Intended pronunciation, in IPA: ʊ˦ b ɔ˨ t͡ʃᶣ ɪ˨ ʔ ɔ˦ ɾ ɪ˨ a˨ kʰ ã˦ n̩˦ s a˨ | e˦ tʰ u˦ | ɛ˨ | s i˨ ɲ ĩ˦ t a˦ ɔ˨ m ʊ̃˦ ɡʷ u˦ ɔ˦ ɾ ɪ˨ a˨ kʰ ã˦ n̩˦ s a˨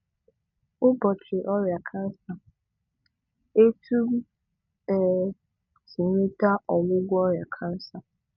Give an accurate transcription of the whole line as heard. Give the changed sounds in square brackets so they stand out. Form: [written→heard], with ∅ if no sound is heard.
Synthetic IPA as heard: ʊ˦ b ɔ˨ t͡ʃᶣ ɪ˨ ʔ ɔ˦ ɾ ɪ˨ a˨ kʰ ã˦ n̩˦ s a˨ | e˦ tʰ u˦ | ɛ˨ | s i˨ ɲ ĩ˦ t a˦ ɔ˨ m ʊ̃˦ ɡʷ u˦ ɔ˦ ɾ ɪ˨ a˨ kʰ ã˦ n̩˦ s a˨